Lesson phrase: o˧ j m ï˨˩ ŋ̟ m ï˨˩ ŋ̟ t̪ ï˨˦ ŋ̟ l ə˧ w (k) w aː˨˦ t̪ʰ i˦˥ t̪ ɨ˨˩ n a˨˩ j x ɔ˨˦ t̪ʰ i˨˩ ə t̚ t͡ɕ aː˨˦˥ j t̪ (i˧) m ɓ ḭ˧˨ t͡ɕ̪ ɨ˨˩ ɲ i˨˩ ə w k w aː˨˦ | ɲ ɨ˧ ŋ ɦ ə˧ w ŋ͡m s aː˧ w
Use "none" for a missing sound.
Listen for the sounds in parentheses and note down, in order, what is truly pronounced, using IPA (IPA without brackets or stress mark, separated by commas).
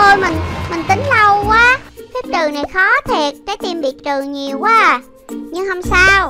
k, i˧